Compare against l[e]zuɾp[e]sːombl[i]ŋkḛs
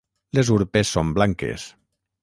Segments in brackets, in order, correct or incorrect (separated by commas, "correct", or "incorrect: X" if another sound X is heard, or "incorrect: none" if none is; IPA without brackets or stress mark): correct, correct, incorrect: a